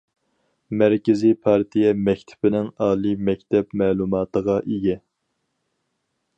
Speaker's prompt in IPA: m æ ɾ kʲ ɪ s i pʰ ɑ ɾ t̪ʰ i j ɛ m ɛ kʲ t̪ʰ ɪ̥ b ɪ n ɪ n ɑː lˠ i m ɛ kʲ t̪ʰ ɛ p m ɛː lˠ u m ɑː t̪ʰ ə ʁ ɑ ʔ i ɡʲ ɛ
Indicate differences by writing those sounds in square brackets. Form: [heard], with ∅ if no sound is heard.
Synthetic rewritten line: m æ ɾ kʲ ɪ [z] i pʰ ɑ ɾ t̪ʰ i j ɛ m ɛ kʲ t̪ʰ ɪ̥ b ɪ n ɪ [ŋ] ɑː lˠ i m ɛ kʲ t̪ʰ ɛ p m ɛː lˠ u m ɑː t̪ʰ ə ʁ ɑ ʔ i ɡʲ ɛ

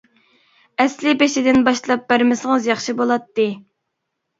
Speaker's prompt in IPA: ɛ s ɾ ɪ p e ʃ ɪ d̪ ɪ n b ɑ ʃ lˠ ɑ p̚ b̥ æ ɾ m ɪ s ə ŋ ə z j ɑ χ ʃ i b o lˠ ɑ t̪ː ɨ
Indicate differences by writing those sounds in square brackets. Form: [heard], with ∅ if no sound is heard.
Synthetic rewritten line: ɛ s [l] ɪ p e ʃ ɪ d̪ ɪ n b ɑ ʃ lˠ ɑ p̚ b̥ æ ɾ m ɪ s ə ŋ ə z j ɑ χ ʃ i b o lˠ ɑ t̪ː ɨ

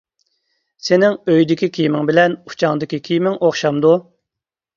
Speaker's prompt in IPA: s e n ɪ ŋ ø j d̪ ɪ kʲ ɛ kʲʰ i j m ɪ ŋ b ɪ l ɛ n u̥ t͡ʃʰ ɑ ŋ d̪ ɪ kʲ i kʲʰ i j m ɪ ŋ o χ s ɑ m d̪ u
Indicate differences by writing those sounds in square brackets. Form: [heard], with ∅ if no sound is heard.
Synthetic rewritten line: s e n ɪ ŋ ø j d̪ ɪ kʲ [i] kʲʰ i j m ɪ ŋ b ɪ l ɛ n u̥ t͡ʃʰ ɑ ŋ d̪ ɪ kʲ i kʲʰ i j m ɪ ŋ o χ [ʃ] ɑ m d̪ u

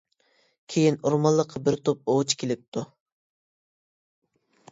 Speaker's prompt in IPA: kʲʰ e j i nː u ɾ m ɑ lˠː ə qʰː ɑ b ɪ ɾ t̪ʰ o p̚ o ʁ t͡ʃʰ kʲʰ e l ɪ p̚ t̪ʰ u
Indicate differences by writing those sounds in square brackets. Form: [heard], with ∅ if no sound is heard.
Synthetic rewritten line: kʲʰ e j i [n] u ɾ m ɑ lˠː ə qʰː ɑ b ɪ ɾ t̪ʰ o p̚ o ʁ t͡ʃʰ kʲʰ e l ɪ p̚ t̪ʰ u

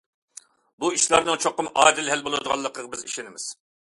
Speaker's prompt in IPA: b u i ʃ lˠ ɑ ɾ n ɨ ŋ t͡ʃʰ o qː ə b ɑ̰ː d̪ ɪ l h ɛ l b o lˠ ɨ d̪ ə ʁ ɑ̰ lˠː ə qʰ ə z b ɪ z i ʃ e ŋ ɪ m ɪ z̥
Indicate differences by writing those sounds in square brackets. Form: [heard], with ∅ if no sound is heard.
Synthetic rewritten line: b u i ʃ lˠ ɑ ɾ n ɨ ŋ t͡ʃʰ o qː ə [m] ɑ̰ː d̪ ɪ l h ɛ l b o lˠ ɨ d̪ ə ʁ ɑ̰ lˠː ə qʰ ə [ʁ] b ɪ z i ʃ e [n] ɪ m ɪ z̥

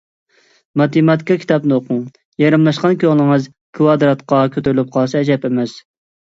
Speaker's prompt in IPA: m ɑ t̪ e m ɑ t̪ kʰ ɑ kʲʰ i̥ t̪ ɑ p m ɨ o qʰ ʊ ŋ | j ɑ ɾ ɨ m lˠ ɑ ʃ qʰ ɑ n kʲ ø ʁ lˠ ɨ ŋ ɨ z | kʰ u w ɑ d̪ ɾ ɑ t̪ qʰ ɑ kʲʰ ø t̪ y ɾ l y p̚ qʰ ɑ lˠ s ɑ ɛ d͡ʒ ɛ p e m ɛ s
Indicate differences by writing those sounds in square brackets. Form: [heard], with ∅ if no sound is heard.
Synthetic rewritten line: m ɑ t̪ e m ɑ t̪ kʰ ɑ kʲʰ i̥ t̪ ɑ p [n] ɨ o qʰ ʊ ŋ | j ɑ ɾ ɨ m lˠ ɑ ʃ [q] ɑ n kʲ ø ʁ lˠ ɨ ŋ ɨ z | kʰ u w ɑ d̪ ɾ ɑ t̪ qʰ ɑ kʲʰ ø t̪ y ɾ l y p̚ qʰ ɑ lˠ s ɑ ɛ d͡ʒ ɛ p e m ɛ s

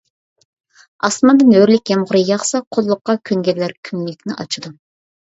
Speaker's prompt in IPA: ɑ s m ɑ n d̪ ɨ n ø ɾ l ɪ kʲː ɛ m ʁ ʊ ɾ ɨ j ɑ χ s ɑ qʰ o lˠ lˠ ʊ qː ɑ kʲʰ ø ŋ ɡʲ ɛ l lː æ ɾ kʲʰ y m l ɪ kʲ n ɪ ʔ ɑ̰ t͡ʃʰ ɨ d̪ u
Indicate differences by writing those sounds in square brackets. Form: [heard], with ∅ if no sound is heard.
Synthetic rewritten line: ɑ s m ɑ n d̪ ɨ n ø ɾ l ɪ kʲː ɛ m ʁ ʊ ɾ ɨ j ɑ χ s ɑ qʰ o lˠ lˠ ʊ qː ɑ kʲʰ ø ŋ ɡʲ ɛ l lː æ ɾ kʲʰ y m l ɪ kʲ n ɪ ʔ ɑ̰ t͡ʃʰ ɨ d̪ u

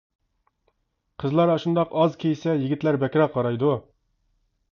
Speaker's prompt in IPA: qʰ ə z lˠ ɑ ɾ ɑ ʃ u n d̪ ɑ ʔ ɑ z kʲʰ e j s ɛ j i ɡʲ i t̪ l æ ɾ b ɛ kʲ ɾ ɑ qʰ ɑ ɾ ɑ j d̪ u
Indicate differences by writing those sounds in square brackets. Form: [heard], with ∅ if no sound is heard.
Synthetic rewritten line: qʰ ə z lˠ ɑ ɾ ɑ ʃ u n d̪ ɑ [q] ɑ z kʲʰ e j s ɛ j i ɡʲ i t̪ l æ ɾ b ɛ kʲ ɾ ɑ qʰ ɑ ɾ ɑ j d̪ u

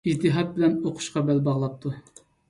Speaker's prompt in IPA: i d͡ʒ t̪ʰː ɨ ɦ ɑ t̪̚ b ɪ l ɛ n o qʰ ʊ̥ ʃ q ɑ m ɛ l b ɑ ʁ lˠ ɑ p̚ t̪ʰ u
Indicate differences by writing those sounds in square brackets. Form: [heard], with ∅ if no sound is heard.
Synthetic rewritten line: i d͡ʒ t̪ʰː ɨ ɦ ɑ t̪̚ b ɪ l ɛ n o qʰ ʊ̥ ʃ q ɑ [b] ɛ l b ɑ ʁ lˠ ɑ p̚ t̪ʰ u

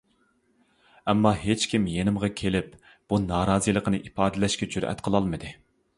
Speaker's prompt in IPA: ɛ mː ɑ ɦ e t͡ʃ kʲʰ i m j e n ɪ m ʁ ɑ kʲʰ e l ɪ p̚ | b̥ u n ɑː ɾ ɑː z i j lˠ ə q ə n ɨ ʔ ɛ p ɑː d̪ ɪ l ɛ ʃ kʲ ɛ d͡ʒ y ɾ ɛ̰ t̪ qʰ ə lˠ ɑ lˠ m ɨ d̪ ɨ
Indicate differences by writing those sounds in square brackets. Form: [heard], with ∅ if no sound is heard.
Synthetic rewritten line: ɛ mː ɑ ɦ e t͡ʃ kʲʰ i m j e n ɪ m ʁ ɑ kʲʰ e l ɪ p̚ | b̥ u n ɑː ɾ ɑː z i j lˠ ə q ə n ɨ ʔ [i] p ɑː d̪ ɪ l ɛ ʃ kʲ ɛ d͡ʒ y ɾ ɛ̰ t̪ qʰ ə lˠ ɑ lˠ m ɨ d̪ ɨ

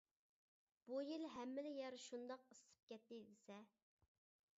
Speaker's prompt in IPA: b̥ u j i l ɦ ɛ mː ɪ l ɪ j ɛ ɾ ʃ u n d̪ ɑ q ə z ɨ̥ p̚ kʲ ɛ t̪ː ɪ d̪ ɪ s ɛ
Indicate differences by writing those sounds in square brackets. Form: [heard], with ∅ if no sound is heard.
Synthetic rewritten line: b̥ u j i l ɦ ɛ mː ɪ l ɪ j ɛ ɾ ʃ u n d̪ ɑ q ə [s] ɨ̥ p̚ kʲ ɛ t̪ː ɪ d̪ ɪ s ɛ

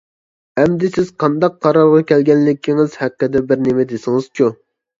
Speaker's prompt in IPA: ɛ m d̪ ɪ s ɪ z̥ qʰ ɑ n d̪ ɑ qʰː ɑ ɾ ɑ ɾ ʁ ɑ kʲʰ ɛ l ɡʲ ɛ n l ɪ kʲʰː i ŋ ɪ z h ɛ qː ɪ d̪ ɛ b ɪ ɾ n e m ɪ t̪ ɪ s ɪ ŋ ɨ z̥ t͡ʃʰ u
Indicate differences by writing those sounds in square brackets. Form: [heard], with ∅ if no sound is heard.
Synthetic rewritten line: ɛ m d̪ ɪ s ɪ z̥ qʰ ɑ n d̪ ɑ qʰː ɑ ɾ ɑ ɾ ʁ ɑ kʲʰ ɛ l ɡʲ ɛ n l ɪ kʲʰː i ŋ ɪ z h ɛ qː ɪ d̪ ɛ b ɪ ɾ n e m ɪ [d̪] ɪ s ɪ ŋ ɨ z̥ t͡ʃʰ u

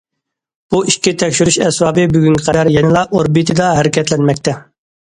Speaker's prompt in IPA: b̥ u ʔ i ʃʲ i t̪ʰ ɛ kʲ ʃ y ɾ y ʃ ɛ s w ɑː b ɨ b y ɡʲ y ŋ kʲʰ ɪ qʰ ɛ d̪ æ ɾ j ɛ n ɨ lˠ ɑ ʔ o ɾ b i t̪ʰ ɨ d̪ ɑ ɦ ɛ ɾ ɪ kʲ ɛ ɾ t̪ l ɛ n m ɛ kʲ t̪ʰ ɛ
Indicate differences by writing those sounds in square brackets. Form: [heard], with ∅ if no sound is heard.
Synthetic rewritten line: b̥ u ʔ i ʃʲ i t̪ʰ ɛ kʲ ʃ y ɾ y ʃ ɛ s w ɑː b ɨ b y ɡʲ y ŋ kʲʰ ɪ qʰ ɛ d̪ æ ɾ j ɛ n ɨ lˠ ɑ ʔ o ɾ b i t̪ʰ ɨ d̪ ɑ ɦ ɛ ɾ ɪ kʲ ɛ [∅] t̪ l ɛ n m ɛ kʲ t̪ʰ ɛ

